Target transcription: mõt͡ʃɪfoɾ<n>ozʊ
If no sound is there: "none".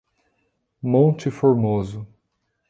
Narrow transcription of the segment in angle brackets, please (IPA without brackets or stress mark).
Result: m